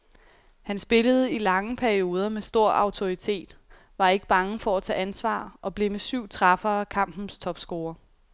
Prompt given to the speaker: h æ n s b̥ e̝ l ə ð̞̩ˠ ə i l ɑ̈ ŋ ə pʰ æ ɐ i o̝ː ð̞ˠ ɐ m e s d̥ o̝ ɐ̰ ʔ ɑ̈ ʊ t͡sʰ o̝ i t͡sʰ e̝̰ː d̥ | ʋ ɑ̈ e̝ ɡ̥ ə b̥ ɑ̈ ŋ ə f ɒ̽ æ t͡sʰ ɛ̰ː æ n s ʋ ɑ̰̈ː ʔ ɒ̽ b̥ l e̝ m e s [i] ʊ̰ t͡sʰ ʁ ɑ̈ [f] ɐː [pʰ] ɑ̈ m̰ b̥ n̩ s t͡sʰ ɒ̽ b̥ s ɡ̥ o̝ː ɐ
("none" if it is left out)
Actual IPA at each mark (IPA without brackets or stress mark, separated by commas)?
y, f, kʰ